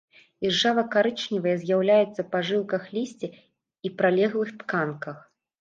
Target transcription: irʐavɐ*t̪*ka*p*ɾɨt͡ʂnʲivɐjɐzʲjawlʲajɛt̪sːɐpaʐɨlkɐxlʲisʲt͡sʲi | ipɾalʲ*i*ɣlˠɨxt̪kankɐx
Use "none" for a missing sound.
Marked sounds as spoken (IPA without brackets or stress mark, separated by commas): none, none, ɛ